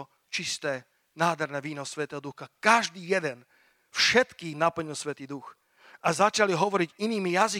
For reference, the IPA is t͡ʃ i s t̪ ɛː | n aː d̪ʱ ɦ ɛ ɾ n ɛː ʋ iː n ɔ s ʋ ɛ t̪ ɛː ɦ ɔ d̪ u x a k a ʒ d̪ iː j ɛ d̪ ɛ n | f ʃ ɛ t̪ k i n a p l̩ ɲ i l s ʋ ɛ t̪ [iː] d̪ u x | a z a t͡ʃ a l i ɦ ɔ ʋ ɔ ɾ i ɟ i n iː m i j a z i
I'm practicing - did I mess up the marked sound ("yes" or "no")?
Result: no